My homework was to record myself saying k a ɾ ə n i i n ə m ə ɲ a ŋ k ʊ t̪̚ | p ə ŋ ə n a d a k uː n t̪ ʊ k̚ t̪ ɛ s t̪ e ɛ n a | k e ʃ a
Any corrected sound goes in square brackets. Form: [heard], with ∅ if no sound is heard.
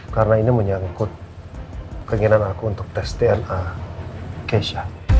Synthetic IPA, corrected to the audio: k a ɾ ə n [a] i n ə m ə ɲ a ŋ k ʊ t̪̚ | [k] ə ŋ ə n a [n] a k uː n t̪ ʊ k̚ t̪ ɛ s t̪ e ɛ n a | k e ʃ a